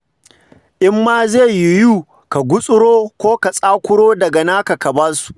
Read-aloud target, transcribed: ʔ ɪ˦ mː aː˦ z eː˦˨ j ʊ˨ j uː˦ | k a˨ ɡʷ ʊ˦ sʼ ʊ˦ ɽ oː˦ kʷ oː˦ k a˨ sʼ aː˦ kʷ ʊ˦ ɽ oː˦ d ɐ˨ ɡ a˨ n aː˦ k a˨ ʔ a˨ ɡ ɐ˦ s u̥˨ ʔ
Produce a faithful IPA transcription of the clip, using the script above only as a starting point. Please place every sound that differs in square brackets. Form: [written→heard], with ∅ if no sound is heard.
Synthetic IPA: ʔ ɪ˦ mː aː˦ z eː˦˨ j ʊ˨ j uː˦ | k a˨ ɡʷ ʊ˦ sʼ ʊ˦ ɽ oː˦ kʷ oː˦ k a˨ sʼ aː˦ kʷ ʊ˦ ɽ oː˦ d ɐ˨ ɡ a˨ n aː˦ k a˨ [ʔ→k] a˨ [ɡ→b] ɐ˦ s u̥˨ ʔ